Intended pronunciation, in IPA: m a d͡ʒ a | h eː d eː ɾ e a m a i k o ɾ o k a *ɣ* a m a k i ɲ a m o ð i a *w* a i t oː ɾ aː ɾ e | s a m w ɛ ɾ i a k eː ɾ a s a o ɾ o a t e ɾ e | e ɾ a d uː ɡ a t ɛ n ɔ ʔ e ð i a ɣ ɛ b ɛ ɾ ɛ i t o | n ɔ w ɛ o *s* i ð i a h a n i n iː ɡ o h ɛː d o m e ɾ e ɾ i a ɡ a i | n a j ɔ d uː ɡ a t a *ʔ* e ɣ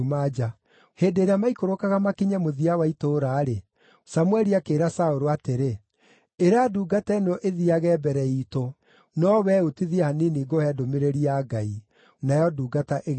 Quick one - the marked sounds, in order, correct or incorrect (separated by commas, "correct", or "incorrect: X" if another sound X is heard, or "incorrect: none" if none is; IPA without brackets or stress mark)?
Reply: correct, correct, incorrect: t, correct